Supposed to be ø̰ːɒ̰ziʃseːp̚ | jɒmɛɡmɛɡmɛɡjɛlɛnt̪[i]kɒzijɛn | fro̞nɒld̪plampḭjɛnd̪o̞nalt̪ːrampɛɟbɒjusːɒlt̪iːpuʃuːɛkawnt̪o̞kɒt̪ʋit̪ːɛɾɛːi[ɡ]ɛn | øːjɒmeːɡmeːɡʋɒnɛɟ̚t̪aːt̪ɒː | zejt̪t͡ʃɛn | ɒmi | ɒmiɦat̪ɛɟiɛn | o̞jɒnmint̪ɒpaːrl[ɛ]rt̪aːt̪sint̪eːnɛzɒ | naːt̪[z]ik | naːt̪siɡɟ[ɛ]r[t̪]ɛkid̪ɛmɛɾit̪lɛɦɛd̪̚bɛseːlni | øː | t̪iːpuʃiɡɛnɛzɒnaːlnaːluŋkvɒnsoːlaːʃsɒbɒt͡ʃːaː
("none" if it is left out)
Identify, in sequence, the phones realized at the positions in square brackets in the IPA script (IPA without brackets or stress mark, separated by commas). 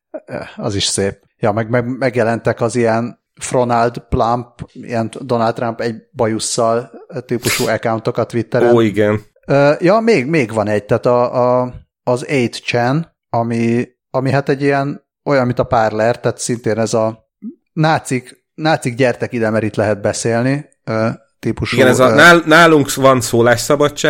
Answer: ɛ, ɡ, ɛ, s, ɛ, t̪